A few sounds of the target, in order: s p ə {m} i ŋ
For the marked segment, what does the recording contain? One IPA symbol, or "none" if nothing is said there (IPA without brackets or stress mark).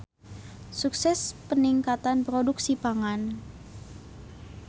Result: n